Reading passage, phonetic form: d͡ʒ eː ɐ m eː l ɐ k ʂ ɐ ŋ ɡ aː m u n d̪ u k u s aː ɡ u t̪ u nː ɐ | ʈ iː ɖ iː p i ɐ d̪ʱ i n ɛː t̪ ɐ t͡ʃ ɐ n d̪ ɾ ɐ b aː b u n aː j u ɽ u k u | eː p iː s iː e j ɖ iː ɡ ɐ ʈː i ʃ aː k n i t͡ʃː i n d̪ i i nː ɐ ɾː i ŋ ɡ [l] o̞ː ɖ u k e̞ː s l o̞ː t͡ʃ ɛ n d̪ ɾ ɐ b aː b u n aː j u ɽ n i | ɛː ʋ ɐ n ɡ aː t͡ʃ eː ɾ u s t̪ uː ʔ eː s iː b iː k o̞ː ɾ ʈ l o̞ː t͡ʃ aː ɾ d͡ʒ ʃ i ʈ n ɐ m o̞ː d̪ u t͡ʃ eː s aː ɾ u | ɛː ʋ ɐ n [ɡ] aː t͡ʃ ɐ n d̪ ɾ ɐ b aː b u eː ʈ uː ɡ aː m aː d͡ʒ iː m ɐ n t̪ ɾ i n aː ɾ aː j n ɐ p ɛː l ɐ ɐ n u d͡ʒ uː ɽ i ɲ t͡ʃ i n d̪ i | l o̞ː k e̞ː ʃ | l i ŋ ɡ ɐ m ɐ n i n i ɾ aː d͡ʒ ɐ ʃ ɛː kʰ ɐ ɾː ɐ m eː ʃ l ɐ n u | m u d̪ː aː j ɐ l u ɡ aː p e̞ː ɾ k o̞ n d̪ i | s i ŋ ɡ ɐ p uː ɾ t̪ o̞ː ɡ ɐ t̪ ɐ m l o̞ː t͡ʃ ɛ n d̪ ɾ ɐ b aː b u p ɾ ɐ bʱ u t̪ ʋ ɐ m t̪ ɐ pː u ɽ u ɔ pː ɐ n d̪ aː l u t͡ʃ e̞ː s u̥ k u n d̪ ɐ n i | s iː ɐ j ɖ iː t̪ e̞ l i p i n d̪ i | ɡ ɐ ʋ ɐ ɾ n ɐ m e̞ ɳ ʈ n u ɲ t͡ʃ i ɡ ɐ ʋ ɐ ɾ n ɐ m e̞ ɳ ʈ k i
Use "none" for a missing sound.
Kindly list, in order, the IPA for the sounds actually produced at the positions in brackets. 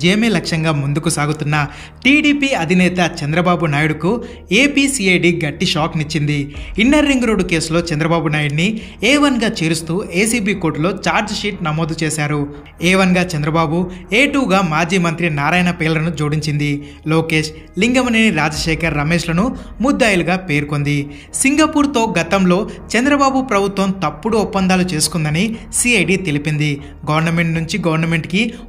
ɾ, ɡ

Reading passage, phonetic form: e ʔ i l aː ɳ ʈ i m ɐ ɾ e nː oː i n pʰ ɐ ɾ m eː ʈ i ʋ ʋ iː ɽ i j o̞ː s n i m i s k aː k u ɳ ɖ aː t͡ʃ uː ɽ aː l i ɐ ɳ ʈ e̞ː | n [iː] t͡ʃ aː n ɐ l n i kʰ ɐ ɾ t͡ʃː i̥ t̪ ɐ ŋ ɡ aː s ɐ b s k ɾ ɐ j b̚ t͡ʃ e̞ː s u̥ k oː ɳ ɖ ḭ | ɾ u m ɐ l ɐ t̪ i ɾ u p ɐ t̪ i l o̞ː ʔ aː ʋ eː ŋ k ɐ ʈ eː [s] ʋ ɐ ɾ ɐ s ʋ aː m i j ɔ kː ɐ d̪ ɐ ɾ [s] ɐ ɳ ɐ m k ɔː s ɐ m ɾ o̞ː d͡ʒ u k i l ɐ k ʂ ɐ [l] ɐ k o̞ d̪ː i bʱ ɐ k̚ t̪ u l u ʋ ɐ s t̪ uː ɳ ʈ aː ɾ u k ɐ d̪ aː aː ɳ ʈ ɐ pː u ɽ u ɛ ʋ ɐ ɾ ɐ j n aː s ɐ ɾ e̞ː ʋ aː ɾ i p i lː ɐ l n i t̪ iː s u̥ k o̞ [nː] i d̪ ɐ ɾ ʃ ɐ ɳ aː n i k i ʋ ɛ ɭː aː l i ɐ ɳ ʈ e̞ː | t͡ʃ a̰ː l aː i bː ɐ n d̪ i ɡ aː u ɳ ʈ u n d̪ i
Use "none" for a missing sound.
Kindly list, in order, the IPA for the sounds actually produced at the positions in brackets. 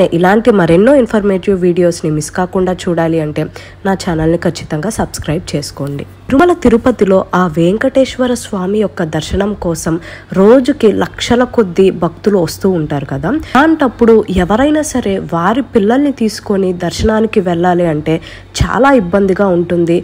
aː, ʃ, ʃ, l, n

